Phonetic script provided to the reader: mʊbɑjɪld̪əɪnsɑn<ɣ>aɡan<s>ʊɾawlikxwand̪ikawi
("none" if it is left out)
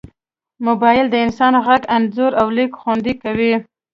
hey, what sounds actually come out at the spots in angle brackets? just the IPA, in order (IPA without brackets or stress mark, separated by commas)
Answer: ɣ, z